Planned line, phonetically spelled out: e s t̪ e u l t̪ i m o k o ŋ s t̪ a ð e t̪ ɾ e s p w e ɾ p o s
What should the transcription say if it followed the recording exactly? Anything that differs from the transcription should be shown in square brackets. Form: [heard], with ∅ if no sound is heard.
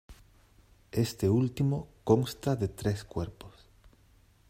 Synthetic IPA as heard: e s t̪ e u l t̪ i m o k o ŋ s t̪ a ð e t̪ ɾ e s [k] w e ɾ p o s